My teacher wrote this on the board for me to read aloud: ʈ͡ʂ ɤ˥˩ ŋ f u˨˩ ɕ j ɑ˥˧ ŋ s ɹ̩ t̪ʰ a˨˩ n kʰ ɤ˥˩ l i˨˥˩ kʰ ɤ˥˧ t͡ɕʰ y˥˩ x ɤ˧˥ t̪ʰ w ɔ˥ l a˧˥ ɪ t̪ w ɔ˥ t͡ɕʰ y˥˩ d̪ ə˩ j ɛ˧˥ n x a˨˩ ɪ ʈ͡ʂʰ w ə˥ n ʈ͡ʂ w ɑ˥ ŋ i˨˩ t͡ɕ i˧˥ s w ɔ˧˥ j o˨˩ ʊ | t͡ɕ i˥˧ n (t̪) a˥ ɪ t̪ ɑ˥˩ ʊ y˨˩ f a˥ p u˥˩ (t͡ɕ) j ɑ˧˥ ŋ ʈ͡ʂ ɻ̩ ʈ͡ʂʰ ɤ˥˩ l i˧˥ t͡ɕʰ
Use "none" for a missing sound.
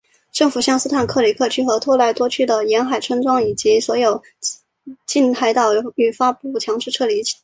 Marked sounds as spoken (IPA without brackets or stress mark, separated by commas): t̪ʰ, t͡ɕʰ